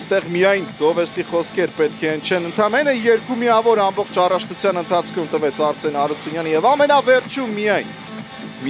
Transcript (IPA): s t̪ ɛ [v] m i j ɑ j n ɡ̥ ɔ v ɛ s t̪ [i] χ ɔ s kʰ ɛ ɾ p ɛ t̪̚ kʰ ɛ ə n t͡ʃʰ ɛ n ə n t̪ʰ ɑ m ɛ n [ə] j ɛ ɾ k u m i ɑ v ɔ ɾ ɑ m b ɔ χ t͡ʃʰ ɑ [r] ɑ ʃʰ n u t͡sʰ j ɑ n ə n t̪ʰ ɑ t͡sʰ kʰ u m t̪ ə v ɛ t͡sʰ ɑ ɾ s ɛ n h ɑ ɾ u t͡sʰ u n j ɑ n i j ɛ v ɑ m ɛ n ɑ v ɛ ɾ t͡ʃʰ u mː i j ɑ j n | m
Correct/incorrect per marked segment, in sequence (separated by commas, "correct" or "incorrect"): incorrect, correct, correct, correct